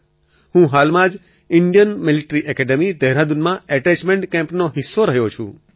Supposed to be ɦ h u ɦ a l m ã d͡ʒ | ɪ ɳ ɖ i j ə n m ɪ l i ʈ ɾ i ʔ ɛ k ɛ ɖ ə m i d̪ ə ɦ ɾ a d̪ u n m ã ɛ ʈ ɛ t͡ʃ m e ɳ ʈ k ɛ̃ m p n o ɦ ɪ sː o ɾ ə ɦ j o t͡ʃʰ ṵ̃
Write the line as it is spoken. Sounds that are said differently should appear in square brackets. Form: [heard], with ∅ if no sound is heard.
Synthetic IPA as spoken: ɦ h [ũ] ɦ a l m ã d͡ʒ | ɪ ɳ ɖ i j ə n m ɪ l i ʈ ɾ i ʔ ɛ k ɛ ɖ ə m i d̪ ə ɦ ɾ a d̪ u n m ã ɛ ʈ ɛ t͡ʃ m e ɳ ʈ k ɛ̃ m p n o ɦ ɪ sː o ɾ ə ɦ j o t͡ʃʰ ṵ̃